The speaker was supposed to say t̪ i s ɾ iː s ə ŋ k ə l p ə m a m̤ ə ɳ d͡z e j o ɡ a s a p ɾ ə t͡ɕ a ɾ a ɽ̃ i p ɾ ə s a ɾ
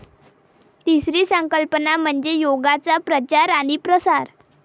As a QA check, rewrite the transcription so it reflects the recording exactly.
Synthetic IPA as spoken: t̪ i s ɾ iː s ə ŋ k ə l p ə n a m̤ ə ɳ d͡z e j o ɡ a t͡s a p ɾ ə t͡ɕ a ɾ a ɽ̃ i p ɾ ə s a ɾ